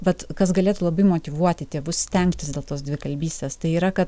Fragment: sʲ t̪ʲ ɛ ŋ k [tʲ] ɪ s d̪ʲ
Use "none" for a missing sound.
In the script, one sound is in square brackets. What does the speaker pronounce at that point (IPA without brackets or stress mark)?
tʲ